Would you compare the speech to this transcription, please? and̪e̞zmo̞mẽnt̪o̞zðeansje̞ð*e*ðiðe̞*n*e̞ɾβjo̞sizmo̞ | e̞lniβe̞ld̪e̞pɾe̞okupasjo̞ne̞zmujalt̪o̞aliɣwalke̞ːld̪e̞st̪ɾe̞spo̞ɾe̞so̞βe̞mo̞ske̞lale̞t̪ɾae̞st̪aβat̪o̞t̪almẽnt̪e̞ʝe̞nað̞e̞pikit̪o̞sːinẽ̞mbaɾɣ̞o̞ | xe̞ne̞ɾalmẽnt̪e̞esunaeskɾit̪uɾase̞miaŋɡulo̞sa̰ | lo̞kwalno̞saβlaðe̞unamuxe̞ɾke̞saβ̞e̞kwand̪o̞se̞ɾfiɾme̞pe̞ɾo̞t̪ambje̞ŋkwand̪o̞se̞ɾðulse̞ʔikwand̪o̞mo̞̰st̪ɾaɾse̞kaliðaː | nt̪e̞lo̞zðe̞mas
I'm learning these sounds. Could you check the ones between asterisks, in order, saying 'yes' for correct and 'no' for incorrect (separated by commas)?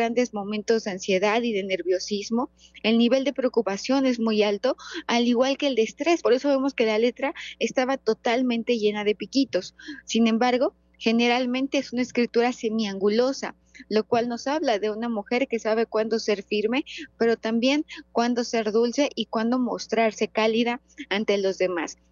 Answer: no, yes